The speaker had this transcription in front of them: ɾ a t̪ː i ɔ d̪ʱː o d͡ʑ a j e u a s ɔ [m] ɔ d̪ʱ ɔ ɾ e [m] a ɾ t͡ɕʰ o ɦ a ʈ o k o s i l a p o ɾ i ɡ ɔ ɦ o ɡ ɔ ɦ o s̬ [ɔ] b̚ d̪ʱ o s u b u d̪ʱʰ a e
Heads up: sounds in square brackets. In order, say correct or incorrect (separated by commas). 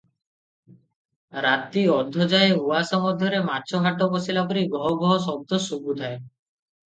correct, correct, correct